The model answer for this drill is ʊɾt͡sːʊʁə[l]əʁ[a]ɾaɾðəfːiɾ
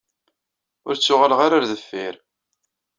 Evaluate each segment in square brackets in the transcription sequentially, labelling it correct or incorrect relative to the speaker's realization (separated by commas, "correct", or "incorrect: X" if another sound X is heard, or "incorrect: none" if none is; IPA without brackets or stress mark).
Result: correct, correct